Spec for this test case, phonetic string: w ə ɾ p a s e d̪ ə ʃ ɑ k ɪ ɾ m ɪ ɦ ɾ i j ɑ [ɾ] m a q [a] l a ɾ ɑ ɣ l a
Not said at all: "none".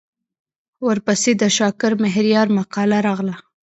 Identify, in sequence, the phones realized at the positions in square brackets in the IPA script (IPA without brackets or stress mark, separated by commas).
ɾ, ɑ